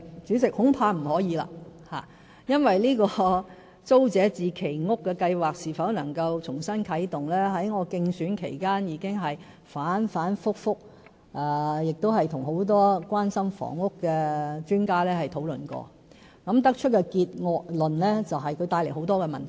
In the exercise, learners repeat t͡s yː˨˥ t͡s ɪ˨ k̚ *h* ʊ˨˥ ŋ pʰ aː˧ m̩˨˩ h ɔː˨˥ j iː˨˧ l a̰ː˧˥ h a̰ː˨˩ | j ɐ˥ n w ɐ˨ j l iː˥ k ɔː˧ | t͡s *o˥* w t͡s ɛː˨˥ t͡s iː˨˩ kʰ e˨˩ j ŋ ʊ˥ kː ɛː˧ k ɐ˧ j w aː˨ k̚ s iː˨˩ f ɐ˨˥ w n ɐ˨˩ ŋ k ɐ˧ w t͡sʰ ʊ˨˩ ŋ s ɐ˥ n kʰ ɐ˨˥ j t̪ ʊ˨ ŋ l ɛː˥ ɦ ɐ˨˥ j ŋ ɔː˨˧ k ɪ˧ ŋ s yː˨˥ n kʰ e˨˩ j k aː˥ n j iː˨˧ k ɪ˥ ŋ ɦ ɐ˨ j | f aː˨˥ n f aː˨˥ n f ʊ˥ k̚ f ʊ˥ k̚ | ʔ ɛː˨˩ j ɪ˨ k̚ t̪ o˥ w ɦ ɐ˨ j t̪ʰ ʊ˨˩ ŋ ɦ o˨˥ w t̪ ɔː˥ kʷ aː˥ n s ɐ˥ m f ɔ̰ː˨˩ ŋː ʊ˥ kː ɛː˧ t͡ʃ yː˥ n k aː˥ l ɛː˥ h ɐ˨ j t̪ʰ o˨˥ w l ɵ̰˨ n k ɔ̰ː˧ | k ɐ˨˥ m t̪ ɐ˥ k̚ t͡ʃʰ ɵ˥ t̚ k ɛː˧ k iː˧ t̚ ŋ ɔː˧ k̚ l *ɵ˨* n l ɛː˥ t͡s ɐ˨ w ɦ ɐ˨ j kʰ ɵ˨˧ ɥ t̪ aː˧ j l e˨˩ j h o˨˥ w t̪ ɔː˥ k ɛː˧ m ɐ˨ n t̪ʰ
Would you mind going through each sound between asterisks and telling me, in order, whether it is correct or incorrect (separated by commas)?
correct, correct, correct